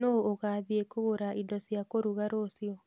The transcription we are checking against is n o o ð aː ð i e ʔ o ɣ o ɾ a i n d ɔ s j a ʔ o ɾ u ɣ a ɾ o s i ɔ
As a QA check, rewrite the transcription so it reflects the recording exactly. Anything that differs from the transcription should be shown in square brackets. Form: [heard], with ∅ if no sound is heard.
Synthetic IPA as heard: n o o [ɣ] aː ð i e [k] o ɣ o ɾ a i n d ɔ s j a [k] o ɾ u ɣ a ɾ o s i ɔ